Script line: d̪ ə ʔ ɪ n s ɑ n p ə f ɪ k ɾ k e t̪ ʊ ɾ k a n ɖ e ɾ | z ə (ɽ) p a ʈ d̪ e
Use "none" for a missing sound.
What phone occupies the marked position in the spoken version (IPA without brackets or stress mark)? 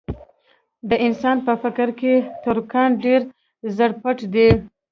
ɽ